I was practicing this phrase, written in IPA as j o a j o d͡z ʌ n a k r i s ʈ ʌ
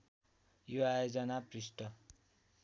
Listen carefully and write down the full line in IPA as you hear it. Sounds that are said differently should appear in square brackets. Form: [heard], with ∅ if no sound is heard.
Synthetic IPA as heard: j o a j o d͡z ʌ n a [p] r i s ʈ ʌ

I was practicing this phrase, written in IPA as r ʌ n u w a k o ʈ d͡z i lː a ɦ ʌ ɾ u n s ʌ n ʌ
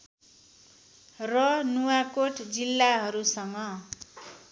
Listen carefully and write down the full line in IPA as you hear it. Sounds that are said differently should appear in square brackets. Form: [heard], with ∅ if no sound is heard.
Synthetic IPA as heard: r ʌ n u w a k o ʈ d͡z i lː a ɦ ʌ ɾ u [∅] s ʌ [ŋ] ʌ

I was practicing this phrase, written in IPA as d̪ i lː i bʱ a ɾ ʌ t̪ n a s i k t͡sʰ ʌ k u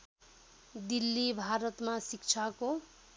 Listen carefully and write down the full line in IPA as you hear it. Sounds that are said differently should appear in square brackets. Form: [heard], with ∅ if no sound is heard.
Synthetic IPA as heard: d̪ i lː i bʱ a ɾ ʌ t̪ [m] a s i k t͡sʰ [a] k [o]

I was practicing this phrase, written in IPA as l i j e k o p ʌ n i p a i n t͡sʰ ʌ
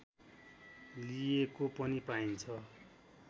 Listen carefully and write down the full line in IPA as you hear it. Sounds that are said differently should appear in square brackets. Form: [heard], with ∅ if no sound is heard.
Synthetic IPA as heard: l i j e k o p ʌ n i p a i n t͡sʰ ʌ

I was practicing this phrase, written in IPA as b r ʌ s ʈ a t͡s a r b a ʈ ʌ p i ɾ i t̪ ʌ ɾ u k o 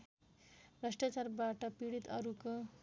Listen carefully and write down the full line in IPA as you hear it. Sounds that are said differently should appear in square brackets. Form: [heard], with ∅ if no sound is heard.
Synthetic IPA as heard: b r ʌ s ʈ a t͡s a r b a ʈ ʌ p i [ɽ] i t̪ ʌ ɾ u k o

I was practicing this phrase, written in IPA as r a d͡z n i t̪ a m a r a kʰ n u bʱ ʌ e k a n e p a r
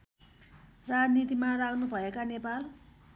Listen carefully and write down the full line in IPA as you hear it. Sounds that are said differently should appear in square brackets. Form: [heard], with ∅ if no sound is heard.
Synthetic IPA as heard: r a d͡z n i t̪ [i] m a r a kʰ n u bʱ ʌ e k a n e p a [l]

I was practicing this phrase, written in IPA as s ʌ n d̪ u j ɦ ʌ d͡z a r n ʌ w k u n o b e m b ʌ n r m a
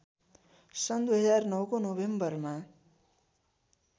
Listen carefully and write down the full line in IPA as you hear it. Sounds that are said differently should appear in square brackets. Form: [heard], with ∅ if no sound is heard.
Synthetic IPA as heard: s ʌ n d̪ u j ɦ ʌ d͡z a r n ʌ w k [o] n o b e m b ʌ [∅] r m a

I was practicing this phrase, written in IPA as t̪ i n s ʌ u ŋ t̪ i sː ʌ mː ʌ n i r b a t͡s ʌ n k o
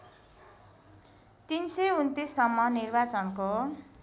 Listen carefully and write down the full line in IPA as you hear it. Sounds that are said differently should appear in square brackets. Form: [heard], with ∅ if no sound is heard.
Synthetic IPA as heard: t̪ i n s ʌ u [n] t̪ i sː ʌ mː ʌ n i r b a t͡s ʌ n k o

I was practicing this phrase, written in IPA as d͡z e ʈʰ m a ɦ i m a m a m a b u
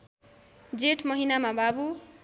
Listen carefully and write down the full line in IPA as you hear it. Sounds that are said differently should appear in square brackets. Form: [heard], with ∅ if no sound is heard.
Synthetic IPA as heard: d͡z e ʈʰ m [ʌ] ɦ i [n] a m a [b] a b u

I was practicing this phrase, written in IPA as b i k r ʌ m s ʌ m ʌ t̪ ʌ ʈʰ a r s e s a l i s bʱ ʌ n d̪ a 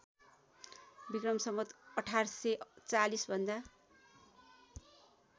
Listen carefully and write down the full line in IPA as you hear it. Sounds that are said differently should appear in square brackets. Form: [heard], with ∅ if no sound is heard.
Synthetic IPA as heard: b i k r ʌ m s ʌ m ʌ t̪ ʌ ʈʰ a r s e [t͡s] a l i s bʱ ʌ n d̪ a

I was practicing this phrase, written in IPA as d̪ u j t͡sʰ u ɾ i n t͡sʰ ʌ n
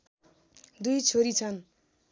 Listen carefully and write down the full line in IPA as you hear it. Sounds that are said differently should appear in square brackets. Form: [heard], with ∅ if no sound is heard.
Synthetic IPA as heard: d̪ u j t͡sʰ [o] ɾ i [∅] t͡sʰ ʌ n

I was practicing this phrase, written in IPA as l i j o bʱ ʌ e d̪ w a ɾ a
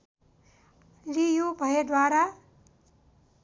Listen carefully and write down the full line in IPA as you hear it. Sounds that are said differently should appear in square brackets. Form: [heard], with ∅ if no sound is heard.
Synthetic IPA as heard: l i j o bʱ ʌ e d̪ w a ɾ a

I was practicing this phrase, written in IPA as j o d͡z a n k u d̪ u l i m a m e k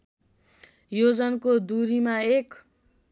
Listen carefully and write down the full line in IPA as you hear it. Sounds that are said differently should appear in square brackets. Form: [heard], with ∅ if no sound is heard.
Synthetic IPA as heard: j o d͡z [ʌ] n k [o] d̪ u [ɾ] i m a [∅] e k

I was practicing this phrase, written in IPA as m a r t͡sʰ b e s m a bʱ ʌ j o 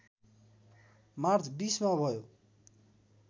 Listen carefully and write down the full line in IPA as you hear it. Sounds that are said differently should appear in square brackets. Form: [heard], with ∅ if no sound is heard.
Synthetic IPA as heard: m a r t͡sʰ b [i] s m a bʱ ʌ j o

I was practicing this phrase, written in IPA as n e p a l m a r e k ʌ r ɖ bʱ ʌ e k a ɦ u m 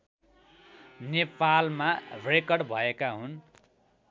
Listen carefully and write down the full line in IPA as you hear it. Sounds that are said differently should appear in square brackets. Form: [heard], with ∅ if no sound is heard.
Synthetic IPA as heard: n e p a l m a r e k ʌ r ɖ bʱ ʌ e k a ɦ u [n]

